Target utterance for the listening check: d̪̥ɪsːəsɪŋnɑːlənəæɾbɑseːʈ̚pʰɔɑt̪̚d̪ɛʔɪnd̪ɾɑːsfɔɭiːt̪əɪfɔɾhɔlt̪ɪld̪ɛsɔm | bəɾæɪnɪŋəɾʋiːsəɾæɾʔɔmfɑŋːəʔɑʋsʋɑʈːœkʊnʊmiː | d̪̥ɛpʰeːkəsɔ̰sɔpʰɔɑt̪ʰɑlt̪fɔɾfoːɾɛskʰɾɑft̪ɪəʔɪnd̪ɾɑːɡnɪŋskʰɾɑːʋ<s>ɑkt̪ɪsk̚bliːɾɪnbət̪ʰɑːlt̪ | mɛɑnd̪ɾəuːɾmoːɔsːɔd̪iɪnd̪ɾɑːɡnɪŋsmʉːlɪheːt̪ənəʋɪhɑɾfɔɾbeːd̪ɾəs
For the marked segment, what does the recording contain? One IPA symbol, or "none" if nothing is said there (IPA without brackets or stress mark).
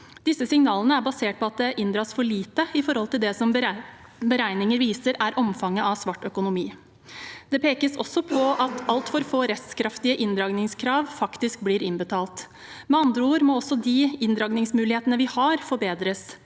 f